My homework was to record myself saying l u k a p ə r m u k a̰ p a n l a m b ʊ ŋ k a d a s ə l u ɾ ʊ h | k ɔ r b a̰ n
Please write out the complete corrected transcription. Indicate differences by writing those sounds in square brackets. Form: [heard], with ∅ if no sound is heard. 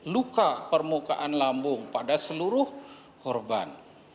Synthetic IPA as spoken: l u k a p ə r m u k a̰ [ʔ] a n l a m b ʊ ŋ [p] a d a s ə l u ɾ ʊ h | k ɔ r b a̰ n